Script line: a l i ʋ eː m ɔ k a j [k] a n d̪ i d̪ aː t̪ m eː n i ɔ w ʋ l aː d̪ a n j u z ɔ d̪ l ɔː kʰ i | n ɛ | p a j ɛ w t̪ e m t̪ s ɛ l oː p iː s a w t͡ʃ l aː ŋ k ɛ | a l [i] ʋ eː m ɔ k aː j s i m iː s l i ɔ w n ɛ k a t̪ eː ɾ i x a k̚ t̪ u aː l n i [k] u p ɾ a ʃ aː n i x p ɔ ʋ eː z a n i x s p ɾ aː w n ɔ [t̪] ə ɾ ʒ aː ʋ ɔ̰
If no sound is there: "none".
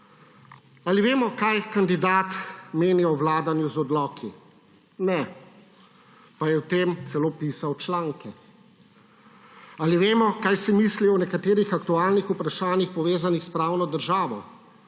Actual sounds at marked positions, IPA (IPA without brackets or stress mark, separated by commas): k, i, x, d̪